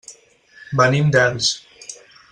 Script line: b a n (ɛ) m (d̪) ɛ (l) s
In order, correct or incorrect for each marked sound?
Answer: incorrect: i, correct, correct

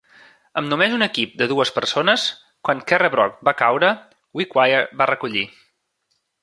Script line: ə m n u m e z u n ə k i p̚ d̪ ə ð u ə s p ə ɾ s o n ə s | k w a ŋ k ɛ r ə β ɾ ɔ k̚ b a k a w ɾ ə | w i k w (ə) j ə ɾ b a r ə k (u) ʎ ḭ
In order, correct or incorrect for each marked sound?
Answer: incorrect: a, correct

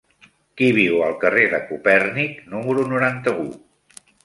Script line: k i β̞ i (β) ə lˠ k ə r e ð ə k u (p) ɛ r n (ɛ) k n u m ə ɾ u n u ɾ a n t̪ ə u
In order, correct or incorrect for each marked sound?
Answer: incorrect: w, correct, incorrect: i

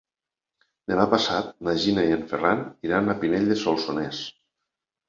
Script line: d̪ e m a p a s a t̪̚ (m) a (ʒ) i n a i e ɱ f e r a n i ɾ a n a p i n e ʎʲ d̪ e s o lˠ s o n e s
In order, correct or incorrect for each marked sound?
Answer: incorrect: n, correct

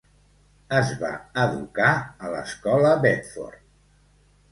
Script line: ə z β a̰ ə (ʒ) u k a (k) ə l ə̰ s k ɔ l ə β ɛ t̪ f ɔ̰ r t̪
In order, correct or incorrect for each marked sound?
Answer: incorrect: ð, incorrect: none

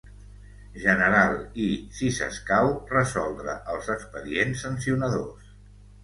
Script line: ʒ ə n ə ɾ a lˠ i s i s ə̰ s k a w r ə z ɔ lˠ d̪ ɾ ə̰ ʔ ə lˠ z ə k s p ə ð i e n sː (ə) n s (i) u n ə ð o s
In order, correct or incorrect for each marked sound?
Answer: correct, correct

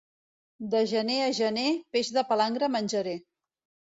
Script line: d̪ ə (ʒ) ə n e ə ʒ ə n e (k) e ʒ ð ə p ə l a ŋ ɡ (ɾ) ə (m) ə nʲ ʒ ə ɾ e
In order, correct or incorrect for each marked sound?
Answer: correct, incorrect: p, correct, correct

